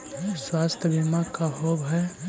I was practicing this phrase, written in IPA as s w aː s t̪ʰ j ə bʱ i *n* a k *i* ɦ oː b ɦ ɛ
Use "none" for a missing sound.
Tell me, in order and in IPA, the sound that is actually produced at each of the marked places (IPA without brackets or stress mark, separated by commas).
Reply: m, a